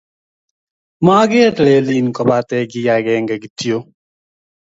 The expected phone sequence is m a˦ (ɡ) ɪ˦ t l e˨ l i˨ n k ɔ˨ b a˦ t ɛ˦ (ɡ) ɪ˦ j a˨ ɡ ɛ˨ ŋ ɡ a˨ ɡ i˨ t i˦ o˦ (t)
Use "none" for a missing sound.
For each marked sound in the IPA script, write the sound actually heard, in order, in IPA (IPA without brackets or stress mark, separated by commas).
ɡ, ɡ, none